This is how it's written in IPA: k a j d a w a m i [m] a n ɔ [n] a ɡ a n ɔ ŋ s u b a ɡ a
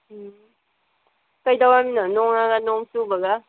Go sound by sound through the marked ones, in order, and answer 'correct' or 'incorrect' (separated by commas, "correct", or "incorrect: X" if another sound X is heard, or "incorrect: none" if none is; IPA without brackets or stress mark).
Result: incorrect: n, incorrect: ŋ